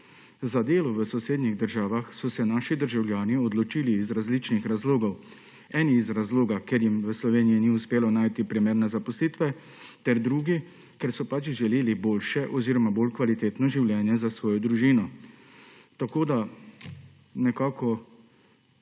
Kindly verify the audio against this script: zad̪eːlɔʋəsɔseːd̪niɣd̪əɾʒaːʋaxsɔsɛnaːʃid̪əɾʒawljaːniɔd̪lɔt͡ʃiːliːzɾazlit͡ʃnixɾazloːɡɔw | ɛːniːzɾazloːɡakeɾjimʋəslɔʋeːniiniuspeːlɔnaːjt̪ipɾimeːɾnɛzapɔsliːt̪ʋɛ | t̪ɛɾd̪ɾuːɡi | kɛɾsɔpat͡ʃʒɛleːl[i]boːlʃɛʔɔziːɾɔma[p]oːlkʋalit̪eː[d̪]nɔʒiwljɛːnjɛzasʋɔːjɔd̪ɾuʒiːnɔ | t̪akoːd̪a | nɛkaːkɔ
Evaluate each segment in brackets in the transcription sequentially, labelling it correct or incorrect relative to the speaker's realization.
correct, incorrect, incorrect

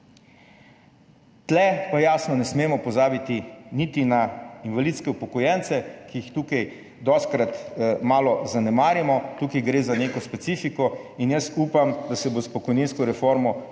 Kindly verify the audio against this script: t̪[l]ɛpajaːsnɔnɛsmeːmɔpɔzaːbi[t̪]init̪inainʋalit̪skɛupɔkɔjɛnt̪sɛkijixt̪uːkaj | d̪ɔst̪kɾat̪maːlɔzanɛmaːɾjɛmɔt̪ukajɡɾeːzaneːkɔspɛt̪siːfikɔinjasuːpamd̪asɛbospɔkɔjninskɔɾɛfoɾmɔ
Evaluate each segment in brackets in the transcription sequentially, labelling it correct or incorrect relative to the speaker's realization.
correct, correct

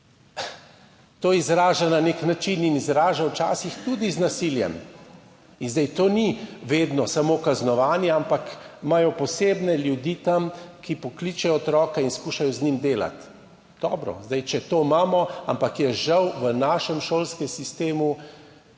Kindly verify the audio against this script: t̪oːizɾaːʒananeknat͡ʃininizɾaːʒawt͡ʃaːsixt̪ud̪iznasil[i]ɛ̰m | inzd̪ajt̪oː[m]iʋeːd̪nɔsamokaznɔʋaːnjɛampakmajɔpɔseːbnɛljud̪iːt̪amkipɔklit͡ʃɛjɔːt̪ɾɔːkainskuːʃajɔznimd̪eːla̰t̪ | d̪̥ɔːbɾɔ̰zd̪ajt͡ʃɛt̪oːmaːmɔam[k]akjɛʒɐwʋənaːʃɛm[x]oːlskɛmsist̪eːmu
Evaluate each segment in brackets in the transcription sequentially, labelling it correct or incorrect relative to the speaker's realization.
incorrect, incorrect, incorrect, incorrect

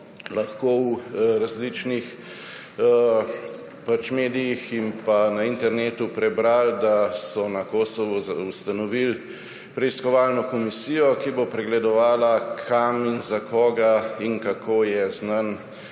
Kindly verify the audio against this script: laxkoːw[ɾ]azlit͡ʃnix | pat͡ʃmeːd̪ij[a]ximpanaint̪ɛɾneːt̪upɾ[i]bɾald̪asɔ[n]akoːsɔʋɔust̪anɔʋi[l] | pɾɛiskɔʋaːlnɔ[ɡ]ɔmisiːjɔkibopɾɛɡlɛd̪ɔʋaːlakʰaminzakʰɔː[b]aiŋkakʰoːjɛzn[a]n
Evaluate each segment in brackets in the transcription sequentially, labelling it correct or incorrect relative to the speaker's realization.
correct, incorrect, incorrect, correct, correct, incorrect, incorrect, correct

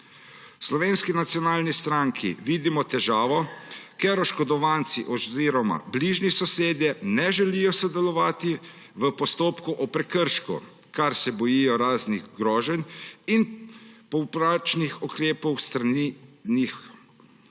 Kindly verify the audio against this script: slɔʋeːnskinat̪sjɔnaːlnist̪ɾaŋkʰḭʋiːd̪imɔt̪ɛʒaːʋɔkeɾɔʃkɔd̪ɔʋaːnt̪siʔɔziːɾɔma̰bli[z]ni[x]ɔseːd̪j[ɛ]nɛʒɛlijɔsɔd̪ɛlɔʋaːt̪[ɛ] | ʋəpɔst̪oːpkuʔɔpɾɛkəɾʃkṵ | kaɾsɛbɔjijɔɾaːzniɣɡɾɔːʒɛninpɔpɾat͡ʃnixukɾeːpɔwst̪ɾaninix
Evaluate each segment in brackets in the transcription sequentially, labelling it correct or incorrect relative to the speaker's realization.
incorrect, incorrect, correct, incorrect

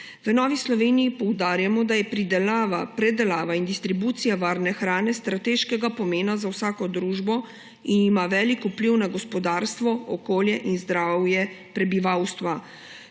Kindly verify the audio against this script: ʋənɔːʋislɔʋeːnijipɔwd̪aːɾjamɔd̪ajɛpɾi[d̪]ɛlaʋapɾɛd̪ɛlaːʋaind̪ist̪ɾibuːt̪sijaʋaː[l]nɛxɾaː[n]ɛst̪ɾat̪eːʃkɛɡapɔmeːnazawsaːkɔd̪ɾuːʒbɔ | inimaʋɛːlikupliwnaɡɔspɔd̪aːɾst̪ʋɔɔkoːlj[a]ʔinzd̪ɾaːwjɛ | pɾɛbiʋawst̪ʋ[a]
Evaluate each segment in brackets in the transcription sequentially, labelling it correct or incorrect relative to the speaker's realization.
correct, incorrect, correct, incorrect, correct

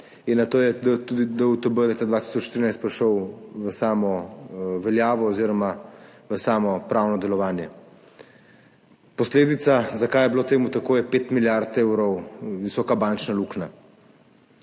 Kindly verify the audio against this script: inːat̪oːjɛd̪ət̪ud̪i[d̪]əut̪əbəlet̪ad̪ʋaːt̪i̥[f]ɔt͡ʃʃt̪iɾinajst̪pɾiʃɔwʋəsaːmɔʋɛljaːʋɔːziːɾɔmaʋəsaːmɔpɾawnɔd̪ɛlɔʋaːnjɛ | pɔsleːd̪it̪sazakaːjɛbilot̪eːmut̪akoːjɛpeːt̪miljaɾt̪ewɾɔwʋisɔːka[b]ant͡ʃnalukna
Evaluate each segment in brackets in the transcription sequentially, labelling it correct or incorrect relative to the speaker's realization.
correct, incorrect, correct

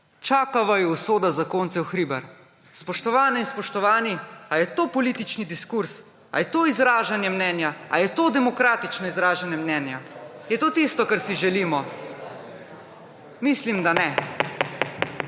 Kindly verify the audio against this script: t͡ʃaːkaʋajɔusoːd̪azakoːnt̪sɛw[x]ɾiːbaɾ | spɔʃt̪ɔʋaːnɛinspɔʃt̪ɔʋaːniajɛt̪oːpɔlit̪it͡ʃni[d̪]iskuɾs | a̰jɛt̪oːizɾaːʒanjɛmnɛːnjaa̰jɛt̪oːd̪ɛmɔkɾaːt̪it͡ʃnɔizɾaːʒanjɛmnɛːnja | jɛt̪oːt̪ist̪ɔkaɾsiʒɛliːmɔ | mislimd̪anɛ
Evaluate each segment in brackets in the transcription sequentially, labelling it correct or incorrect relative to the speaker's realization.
correct, correct

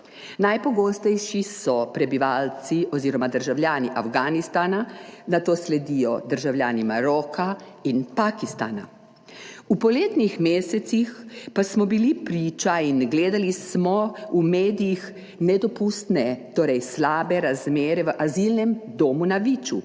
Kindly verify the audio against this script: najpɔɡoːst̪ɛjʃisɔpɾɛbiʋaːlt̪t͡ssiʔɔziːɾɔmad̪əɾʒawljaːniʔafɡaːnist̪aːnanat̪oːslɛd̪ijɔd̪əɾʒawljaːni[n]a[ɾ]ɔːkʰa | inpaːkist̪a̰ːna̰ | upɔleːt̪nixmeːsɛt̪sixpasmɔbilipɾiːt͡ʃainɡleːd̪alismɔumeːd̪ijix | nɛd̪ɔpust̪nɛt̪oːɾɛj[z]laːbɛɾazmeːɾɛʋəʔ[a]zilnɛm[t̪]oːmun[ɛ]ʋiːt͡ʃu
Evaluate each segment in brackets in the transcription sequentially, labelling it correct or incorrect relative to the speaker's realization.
incorrect, correct, incorrect, correct, incorrect, incorrect

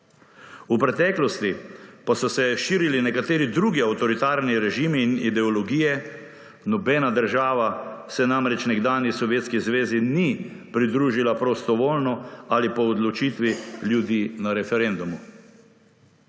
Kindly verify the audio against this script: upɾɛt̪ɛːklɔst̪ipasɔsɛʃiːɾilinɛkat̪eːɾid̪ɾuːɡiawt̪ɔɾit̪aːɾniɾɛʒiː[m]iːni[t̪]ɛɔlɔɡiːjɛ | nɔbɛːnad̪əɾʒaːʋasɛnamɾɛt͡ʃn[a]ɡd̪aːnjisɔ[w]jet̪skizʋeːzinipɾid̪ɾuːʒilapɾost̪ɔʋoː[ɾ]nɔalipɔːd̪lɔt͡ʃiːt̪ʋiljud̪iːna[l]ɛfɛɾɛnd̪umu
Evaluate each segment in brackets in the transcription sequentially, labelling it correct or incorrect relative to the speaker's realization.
correct, incorrect, incorrect, incorrect, incorrect, incorrect

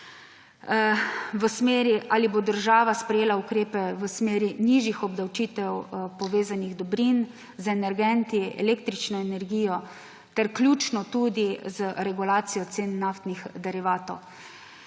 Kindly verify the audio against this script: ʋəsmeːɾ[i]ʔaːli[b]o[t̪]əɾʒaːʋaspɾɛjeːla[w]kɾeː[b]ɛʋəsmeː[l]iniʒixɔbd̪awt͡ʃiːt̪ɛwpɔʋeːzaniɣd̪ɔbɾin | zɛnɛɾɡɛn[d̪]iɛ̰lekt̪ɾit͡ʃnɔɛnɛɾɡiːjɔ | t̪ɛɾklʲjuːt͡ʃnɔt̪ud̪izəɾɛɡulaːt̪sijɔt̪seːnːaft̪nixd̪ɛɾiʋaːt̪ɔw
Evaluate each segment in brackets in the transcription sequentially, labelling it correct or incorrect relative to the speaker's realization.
correct, correct, incorrect, incorrect, incorrect, incorrect, incorrect

